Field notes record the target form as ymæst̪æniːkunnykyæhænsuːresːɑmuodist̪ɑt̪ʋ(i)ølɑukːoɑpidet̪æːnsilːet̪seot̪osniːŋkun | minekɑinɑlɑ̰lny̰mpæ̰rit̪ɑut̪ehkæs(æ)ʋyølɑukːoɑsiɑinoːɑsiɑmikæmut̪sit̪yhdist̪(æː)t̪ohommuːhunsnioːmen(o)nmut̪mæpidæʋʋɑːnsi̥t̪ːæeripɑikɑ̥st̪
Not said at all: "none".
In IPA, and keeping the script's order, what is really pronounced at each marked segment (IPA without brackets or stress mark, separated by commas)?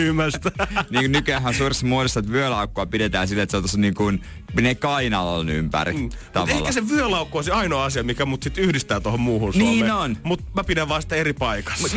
y, e, æː, o